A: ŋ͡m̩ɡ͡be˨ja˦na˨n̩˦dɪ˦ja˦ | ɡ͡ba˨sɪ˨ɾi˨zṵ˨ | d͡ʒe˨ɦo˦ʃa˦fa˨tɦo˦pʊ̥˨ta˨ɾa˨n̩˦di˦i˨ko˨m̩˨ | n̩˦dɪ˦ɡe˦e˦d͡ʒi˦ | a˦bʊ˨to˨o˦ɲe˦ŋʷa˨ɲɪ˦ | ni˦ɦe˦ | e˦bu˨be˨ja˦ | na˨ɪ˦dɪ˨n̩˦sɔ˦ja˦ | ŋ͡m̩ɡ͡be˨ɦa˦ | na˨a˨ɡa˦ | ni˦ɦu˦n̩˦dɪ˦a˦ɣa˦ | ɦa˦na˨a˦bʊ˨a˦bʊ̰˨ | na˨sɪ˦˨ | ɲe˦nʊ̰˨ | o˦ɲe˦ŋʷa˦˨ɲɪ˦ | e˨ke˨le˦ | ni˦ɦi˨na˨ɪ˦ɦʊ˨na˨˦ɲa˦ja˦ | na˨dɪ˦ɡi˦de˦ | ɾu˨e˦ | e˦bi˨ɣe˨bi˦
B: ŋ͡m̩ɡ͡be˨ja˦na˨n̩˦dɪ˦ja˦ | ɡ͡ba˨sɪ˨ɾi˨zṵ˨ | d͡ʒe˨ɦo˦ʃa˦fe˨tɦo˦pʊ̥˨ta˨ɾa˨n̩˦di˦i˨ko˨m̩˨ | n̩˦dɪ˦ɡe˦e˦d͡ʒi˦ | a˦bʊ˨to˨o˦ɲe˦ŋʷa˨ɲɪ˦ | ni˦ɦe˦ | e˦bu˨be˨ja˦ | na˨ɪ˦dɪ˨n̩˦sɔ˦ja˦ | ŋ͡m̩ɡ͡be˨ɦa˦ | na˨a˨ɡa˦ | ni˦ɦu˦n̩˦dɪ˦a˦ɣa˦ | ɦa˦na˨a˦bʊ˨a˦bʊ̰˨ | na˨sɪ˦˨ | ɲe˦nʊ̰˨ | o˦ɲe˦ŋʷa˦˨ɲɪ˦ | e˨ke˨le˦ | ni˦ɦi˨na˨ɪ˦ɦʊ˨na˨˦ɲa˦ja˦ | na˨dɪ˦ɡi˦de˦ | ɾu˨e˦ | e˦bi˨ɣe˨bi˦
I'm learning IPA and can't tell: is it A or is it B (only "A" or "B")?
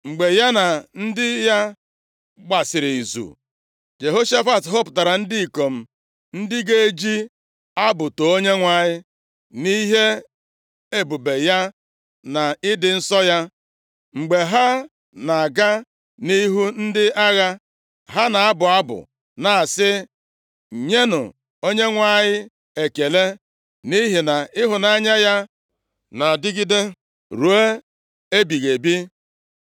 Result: A